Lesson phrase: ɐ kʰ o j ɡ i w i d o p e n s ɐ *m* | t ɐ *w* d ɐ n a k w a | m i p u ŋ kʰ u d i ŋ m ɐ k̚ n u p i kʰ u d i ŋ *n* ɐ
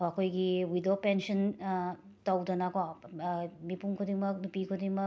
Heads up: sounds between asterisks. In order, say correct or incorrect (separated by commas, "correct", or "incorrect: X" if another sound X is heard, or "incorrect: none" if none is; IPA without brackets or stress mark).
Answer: incorrect: n, correct, incorrect: m